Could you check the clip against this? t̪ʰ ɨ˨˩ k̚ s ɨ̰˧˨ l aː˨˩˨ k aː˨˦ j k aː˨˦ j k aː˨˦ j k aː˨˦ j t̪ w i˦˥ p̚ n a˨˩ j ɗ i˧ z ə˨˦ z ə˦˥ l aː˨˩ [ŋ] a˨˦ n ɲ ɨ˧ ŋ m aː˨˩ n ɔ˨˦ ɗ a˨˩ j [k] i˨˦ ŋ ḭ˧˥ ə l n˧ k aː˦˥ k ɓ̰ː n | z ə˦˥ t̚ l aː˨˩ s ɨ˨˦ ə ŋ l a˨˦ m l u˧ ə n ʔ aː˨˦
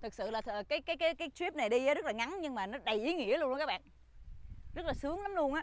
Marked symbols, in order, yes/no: yes, no

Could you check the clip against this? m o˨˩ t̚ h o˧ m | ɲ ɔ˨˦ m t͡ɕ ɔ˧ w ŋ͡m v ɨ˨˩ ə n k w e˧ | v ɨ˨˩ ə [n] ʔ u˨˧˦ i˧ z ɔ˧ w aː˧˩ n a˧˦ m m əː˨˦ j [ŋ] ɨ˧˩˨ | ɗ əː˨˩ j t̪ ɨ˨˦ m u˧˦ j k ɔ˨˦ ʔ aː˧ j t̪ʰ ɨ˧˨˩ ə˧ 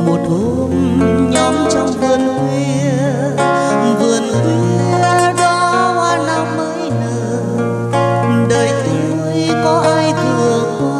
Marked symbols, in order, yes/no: yes, no

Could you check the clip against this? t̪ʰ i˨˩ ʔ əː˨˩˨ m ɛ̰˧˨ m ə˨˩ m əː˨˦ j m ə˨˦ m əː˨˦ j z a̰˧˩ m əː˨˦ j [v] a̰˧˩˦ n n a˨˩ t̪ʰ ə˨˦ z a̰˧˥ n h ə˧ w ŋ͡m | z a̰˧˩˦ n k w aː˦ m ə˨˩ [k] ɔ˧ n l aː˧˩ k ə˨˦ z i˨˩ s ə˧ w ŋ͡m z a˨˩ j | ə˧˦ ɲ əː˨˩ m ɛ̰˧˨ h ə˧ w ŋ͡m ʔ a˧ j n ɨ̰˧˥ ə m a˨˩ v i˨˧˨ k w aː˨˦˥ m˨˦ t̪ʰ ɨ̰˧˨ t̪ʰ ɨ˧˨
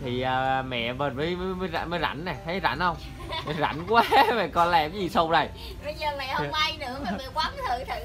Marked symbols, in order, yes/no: no, yes

